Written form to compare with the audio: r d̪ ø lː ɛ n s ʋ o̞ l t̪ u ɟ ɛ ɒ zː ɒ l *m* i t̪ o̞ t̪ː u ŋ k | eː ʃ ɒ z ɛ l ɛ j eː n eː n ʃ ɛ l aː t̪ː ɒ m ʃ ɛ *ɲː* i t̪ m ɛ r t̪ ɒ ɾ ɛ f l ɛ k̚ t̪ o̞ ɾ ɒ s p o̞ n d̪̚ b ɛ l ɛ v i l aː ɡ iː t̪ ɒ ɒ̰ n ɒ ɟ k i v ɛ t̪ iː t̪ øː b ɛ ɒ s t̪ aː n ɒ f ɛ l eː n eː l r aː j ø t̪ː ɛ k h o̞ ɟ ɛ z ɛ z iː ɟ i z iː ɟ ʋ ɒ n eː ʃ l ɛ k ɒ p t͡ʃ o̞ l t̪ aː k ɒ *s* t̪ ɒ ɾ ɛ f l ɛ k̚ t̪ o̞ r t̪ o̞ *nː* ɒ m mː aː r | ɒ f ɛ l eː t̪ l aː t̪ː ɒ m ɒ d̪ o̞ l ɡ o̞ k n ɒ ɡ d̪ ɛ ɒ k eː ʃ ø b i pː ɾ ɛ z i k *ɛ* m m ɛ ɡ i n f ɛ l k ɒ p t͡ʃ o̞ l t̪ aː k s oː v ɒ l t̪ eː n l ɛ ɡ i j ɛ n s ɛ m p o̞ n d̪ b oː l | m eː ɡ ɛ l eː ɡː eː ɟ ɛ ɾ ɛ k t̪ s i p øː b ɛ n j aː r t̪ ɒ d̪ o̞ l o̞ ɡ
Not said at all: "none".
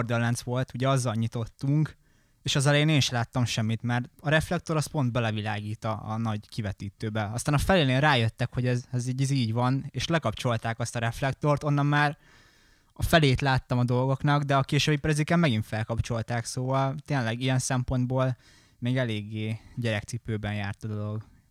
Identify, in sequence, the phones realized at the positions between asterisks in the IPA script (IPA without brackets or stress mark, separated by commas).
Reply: ɲ, mː, s, nː, ɛ